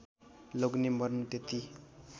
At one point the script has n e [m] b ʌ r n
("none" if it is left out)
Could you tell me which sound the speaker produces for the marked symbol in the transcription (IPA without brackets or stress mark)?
m